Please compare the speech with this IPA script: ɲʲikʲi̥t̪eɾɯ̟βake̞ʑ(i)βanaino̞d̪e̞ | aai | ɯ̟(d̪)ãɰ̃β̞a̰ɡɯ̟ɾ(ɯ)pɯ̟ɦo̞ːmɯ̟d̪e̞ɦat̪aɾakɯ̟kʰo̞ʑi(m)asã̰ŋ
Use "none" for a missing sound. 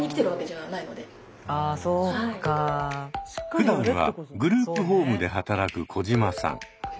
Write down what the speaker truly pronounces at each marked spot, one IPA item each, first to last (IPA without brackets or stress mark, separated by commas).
a, d̪, ɯː, m